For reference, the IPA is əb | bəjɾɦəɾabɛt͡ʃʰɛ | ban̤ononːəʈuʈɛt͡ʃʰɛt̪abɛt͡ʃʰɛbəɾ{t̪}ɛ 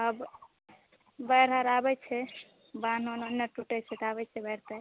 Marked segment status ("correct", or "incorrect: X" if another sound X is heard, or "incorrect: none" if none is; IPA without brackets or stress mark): correct